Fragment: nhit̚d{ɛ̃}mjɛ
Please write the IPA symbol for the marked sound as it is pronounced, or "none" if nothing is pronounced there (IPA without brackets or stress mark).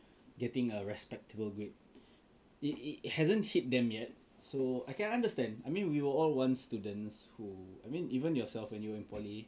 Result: ɛ̃